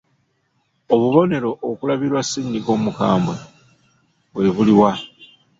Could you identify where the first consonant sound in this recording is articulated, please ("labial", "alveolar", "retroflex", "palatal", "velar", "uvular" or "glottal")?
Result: labial